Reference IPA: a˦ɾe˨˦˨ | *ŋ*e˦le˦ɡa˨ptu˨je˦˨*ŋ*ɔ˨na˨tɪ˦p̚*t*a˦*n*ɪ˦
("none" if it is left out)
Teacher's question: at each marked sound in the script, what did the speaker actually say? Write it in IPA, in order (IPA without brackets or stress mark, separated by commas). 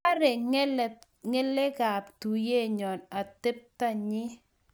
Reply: ŋ, ɲ, t, ɲ